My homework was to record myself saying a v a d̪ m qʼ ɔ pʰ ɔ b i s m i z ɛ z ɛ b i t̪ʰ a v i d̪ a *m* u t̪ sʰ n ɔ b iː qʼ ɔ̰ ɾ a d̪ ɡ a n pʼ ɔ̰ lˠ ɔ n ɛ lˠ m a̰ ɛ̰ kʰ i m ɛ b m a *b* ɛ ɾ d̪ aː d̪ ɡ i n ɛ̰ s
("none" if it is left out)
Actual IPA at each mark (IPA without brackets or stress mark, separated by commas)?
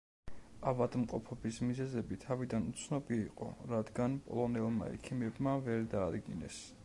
n, v